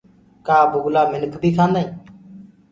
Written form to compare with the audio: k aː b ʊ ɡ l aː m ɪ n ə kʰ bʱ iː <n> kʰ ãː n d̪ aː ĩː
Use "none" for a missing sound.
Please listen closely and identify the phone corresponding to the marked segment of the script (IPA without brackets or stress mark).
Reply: none